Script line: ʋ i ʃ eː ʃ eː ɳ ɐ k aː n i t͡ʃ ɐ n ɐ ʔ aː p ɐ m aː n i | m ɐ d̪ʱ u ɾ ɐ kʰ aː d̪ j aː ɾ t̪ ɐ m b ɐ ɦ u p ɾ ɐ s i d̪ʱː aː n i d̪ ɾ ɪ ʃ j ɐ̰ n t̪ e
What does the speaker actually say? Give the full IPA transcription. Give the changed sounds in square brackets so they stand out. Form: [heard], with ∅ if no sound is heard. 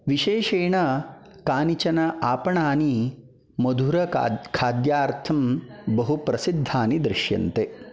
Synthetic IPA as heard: ʋ i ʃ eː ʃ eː ɳ ɐ k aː n i t͡ʃ ɐ n ɐ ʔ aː p ɐ [ɳ] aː n i | m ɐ d̪ʱ u ɾ ɐ kʰ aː d̪ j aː ɾ [t̪ʰ] ɐ m b ɐ ɦ u p ɾ ɐ s i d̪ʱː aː n i d̪ ɾ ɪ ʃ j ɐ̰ n t̪ e

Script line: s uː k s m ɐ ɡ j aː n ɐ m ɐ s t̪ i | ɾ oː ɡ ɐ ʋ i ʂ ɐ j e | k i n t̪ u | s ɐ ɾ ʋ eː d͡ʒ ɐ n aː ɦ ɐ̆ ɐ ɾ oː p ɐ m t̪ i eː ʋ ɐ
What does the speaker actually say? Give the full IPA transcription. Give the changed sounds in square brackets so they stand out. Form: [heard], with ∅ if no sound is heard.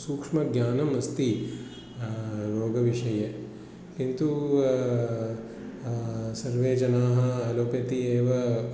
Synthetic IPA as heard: s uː k [ʂ] m ɐ ɡ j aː n ɐ m ɐ s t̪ i | ɾ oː ɡ ɐ ʋ i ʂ ɐ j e | k i n t̪ u | s ɐ ɾ ʋ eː d͡ʒ ɐ n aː ɦ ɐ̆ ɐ [l] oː p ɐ [∅] t̪ i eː ʋ ɐ

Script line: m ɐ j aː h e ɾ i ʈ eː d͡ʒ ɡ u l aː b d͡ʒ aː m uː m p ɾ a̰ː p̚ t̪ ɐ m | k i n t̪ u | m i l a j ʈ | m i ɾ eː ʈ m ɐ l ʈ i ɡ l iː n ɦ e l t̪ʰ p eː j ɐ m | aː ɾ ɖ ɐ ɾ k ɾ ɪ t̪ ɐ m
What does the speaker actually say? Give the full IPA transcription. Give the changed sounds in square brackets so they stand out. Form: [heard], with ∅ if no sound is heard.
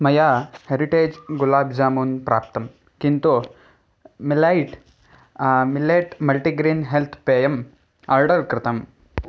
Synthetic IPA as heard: m ɐ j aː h e ɾ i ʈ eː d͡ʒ ɡ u l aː b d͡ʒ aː m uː [n] p ɾ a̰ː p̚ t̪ ɐ m | k i n t̪ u | m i l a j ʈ | m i [l] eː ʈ m ɐ l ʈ i ɡ [ɾ] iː n ɦ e l t̪ʰ p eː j ɐ m | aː ɾ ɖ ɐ ɾ k ɾ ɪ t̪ ɐ m

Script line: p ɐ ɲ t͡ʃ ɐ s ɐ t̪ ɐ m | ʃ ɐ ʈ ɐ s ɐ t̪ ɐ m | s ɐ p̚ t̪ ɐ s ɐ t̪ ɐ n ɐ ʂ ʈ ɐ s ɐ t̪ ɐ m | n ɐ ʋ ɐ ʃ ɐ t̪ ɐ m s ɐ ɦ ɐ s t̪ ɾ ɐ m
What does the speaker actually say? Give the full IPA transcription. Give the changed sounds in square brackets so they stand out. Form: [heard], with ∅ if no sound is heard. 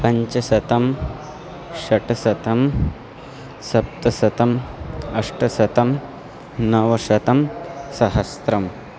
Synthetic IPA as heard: p ɐ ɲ t͡ʃ ɐ s ɐ t̪ ɐ m | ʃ ɐ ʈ ɐ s ɐ t̪ ɐ m | s ɐ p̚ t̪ ɐ s ɐ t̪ ɐ [m] ɐ ʂ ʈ ɐ s ɐ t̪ ɐ m | n ɐ ʋ ɐ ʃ ɐ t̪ ɐ m s ɐ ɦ ɐ s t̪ ɾ ɐ m

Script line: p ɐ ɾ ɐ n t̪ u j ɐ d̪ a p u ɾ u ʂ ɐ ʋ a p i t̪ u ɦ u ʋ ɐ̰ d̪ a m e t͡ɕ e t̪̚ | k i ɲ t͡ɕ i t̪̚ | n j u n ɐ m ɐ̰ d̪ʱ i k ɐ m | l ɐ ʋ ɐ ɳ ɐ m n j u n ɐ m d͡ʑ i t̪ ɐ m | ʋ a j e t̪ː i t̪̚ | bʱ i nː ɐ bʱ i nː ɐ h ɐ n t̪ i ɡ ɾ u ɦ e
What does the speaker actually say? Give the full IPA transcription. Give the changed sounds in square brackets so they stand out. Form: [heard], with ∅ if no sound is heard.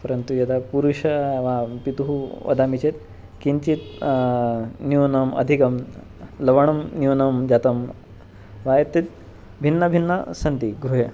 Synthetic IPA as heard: p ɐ ɾ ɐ n t̪ u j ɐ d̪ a p u ɾ u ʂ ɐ ʋ a p i t̪ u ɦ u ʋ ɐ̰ d̪ a m [i] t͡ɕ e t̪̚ | k i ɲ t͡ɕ i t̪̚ | n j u n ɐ m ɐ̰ d̪ʱ i k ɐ m | l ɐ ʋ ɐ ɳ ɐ m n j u n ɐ m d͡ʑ [a] t̪ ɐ m | ʋ a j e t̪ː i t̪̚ | bʱ i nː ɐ bʱ i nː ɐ [s] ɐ n t̪ i ɡ ɾ u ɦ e

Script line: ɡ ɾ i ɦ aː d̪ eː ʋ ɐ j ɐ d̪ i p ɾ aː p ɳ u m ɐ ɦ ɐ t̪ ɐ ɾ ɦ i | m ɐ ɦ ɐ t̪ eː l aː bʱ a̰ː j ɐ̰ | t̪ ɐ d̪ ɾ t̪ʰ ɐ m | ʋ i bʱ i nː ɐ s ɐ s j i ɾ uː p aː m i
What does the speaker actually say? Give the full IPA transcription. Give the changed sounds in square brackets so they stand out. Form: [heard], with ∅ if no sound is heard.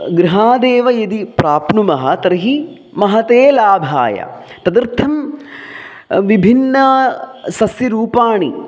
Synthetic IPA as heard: ɡ ɾ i ɦ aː d̪ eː ʋ ɐ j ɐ d̪ i p ɾ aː p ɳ u m ɐ ɦ ɐ t̪ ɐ ɾ ɦ i | m ɐ ɦ ɐ t̪ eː l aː bʱ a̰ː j ɐ̰ | t̪ ɐ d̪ ɾ t̪ʰ ɐ m | ʋ i bʱ i nː ɐ s ɐ s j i ɾ uː p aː [ɳ] i

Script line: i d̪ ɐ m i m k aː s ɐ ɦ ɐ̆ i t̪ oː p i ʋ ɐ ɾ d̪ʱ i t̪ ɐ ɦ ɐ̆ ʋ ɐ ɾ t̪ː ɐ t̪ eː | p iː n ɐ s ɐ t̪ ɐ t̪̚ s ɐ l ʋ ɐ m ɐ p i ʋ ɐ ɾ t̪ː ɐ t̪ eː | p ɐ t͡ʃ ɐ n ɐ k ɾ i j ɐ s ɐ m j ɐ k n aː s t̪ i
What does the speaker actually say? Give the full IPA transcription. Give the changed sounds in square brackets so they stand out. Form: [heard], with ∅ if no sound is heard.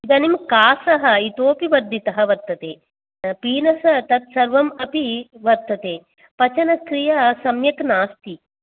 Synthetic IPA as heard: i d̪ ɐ [n] i m k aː s ɐ ɦ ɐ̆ i t̪ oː p i ʋ ɐ ɾ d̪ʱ i t̪ ɐ ɦ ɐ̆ ʋ ɐ ɾ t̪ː ɐ t̪ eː | p iː n ɐ s ɐ t̪ ɐ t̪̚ s ɐ [ɾ] ʋ ɐ m ɐ p i ʋ ɐ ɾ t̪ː ɐ t̪ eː | p ɐ t͡ʃ ɐ n ɐ k ɾ i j ɐ s ɐ m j ɐ k n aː s t̪ i

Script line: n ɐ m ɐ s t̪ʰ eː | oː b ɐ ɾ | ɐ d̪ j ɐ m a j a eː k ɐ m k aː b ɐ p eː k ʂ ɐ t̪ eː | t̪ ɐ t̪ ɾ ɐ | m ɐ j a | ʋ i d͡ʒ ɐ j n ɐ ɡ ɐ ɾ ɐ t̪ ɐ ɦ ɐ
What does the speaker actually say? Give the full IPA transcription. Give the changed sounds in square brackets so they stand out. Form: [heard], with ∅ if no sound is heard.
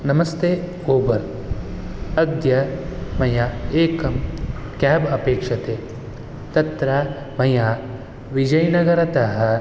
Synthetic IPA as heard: n ɐ m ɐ s [t̪] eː | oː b ɐ ɾ | ɐ d̪ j ɐ m [ɐ] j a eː k ɐ m k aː b ɐ p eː k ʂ ɐ t̪ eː | t̪ ɐ t̪ ɾ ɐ | m ɐ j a | ʋ i d͡ʒ ɐ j n ɐ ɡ ɐ ɾ ɐ t̪ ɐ ɦ ɐ

